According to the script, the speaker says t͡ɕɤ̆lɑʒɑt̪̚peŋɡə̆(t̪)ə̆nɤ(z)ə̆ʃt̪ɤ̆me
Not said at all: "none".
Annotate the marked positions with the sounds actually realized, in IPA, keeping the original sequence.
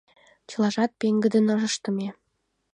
d̪, ʒ

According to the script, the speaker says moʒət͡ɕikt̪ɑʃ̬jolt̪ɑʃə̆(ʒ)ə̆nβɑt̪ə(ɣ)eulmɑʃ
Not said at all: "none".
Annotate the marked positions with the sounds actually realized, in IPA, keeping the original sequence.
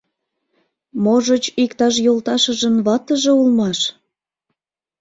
ʒ, ʒ

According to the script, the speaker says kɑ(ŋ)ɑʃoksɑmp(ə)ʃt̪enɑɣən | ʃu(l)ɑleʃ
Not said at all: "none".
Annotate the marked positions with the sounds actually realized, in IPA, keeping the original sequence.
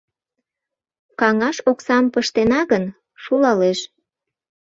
ŋ, ə, l

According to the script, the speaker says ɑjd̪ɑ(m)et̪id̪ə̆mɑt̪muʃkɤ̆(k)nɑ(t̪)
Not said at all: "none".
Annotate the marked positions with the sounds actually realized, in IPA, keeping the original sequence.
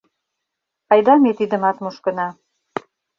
m, none, none

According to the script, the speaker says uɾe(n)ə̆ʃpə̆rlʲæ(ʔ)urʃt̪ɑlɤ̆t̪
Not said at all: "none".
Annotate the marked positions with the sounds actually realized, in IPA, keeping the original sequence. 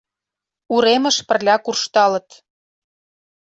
m, k

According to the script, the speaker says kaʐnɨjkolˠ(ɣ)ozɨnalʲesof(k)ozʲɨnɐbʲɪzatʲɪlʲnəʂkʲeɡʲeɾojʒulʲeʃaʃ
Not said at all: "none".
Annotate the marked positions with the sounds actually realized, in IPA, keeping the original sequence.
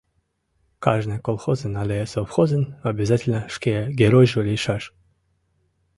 x, x

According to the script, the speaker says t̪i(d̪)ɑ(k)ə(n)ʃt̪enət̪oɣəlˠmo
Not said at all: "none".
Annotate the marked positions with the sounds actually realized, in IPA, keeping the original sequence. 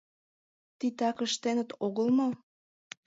t̪, k, none

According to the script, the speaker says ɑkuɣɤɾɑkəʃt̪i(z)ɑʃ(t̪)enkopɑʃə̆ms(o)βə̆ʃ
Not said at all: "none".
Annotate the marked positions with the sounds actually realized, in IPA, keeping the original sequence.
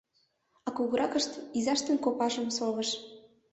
z, t̪, o

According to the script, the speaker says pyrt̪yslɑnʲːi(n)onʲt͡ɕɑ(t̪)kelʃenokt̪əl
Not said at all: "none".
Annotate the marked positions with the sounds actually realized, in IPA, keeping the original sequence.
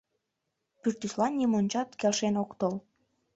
m, t̪

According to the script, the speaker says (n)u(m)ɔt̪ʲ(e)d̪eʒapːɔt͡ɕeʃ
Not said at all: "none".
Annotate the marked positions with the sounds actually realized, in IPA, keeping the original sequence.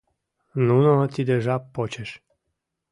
n, n, i

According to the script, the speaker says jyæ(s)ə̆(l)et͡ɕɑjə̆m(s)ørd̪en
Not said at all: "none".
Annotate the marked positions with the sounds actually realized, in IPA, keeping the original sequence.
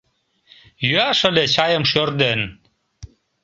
ʃ, l, ʃ

